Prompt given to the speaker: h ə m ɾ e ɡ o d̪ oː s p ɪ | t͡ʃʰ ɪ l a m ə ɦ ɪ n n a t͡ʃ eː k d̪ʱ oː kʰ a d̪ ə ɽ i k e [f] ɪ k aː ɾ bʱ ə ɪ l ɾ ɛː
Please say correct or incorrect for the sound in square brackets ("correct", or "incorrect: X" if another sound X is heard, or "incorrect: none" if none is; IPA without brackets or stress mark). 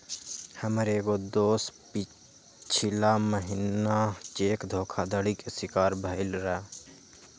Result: incorrect: s